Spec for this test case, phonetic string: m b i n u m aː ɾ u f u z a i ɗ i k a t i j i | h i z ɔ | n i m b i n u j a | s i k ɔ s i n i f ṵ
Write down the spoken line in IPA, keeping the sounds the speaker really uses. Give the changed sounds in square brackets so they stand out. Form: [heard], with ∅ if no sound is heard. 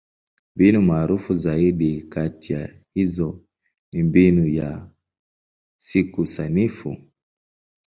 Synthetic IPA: m b i n u m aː ɾ u f u z a i ɗ i k a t i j [a] | h i z ɔ | n i m b i n u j a | s i k [u] s [a] n i f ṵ